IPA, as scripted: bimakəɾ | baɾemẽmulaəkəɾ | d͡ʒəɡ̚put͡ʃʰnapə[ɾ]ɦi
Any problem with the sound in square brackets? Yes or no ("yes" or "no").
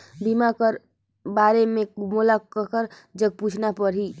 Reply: no